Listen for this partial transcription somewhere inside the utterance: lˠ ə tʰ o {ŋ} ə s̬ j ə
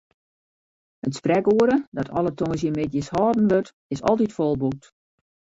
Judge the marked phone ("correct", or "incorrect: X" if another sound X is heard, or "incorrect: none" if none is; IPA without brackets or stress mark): correct